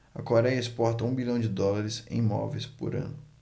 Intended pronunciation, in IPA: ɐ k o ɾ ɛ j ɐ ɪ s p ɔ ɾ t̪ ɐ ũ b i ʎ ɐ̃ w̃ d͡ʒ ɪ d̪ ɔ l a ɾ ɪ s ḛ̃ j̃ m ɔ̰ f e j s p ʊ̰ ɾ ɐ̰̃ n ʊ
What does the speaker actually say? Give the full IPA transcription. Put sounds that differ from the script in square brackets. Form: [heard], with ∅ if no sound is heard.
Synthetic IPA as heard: ɐ k o ɾ ɛ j ɐ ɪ s p ɔ ɾ t̪ ɐ ũ b i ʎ ɐ̃ w̃ d͡ʒ ɪ d̪ ɔ l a ɾ ɪ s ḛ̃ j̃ m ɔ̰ [v] e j s p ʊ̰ ɾ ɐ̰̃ n ʊ